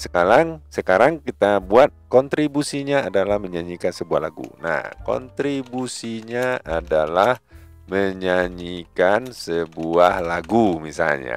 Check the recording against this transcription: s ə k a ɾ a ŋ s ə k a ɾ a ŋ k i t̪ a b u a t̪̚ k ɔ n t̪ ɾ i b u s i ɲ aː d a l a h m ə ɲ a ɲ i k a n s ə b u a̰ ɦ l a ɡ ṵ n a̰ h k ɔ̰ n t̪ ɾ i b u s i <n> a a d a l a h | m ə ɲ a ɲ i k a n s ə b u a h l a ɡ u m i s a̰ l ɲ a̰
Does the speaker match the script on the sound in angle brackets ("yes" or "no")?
no